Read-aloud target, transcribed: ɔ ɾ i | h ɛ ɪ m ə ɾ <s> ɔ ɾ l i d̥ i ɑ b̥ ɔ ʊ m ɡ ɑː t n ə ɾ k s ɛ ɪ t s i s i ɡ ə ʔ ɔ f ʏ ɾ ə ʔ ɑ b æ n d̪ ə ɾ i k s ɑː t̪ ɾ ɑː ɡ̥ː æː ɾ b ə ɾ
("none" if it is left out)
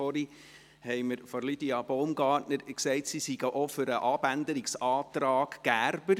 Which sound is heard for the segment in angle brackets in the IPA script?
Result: f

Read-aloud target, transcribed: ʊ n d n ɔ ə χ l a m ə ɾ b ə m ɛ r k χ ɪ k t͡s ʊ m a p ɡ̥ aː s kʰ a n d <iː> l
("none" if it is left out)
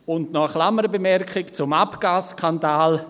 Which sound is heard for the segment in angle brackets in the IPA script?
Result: aː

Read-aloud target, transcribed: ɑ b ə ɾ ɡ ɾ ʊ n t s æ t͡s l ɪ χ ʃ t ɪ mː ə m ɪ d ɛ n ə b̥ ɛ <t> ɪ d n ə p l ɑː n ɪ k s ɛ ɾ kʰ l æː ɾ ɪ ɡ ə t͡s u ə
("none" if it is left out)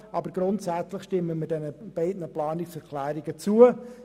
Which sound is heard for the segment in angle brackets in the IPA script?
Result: none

